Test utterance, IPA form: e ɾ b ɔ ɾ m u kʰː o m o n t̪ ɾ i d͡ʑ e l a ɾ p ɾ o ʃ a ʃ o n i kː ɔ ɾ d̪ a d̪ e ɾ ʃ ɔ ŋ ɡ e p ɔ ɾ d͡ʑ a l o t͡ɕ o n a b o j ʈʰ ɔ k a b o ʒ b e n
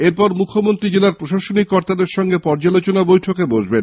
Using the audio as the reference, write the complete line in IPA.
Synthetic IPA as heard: e ɾ p ɔ ɾ m u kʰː o m o n t̪ ɾ i d͡ʑ e l a ɾ p ɾ o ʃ a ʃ o n i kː ɔ ɾ t̪ a d̪ e ɾ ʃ ɔ ŋ ɡ e p ɔ ɾ d͡ʑ a l o t͡ɕ o n a b o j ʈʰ o k e b o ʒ b e n

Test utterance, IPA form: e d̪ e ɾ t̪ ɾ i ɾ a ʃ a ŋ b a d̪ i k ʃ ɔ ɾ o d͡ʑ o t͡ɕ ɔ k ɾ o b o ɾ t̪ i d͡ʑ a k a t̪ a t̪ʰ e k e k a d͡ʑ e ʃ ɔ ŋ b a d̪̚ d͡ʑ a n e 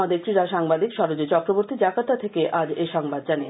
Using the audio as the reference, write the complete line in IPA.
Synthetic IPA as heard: a d̪ e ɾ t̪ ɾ i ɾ a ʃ a ŋ b a d̪ i k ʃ ɔ ɾ o d͡ʑ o t͡ɕ ɔ k ɾ o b o ɾ t̪ i d͡ʑ a k a t̪ a t̪ʰ e k e ʔ a d͡ʑ e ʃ ɔ ŋ b a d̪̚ d͡ʑ a n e

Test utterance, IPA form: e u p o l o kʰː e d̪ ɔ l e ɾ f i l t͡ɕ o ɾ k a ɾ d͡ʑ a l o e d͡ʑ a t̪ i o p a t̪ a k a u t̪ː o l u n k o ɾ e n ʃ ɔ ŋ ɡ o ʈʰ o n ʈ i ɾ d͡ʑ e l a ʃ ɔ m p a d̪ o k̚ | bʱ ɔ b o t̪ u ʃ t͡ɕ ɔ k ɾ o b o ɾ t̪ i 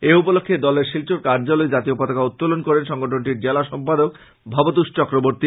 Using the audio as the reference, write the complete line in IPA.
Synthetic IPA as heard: e u p o l o kʰː e d̪ ɔ l e ɾ ʃ i l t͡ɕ o ɾ k a ɾ d͡ʑ a l o e d͡ʑ a t̪ i o p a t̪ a k a u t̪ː o l o n k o ɾ e n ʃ ɔ ŋ ɡ o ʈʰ o n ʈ i ɾ d͡ʑ e l a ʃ ɔ m p a d̪ o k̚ | bʱ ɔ b o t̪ u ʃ t͡ɕ ɔ k ɾ o b o ɾ t̪ i

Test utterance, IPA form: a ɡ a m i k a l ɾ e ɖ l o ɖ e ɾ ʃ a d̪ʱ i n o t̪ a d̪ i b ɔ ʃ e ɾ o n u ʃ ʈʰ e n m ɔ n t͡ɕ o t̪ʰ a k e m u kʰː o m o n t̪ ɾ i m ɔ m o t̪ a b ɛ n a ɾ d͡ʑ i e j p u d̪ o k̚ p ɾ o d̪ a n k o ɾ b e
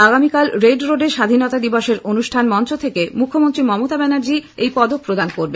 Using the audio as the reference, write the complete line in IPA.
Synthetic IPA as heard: a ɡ a m i k a l ɾ e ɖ ɾ o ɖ e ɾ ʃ a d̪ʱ i n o t̪ a d̪ i b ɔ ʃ e ɾ o n u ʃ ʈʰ a n m ɔ n t͡ɕ o t̪ʰ e k e m u kʰː o m o n t̪ ɾ i m ɔ m o t̪ a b ɛ n a ɾ d͡ʑ i e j p ɔ d̪ o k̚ p ɾ o d̪ a n k o ɾ b e

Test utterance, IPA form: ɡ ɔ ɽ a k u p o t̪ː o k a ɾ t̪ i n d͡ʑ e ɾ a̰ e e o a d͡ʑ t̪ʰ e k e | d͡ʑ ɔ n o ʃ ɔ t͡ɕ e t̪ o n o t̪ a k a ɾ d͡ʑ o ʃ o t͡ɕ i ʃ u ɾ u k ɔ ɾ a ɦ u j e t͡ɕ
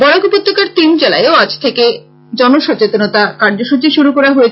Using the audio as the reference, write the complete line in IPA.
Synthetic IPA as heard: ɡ ɔ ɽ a k u p o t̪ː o k a ɾ t̪ i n d͡ʑ e l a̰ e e o a d͡ʑ t̪ʰ e k e | d͡ʑ ɔ n o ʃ ɔ t͡ɕ e t̪ o n o t̪ a k a ɾ d͡ʑ o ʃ u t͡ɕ i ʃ u ɾ u k ɔ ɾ a ɦ o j e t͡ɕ

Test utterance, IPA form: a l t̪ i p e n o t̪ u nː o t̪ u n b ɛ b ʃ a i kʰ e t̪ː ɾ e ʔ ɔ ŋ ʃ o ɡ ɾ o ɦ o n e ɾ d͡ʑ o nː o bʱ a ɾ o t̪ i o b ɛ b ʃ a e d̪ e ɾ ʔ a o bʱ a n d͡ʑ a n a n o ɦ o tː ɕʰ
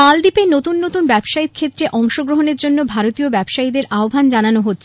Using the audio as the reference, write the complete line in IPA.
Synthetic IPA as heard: a l d̪ i p e n o t̪ u nː o t̪ u n b ɛ b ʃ a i kʰ e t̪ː ɾ e ʔ ɔ ŋ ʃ o ɡ ɾ o ɦ o n e ɾ d͡ʑ o nː o bʱ a ɾ o t̪ i o b ɛ b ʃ a i d̪ e ɾ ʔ a o bʱ a n d͡ʑ a n a n o ɦ o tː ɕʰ

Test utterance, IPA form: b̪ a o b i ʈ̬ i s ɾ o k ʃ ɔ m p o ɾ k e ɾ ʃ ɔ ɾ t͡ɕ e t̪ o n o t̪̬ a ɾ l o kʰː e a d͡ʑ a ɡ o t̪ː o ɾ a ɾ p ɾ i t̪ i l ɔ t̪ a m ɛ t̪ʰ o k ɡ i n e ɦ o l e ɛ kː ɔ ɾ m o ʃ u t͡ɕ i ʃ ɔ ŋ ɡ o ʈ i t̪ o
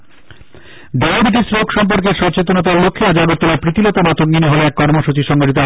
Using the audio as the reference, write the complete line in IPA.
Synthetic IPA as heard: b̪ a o b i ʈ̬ i s ɾ o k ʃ ɔ m p o ɾ k e ɾ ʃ ɔ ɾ t͡ɕ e t̪ o n o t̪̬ a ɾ l o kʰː e a d͡ʑ a ɡ o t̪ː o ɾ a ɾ p ɾ i t̪ i l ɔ t̪ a m a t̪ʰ o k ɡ i n e ɦ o l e ɛ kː ɔ ɾ m o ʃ u t͡ɕ i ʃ ɔ ŋ ɡ o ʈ i t̪ o

